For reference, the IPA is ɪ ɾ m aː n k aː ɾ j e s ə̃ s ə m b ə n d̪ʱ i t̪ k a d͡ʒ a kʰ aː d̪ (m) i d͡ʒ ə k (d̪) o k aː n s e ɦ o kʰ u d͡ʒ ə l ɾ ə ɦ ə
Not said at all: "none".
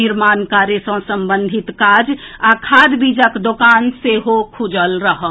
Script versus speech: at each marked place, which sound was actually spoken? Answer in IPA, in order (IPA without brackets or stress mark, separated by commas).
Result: b, d̪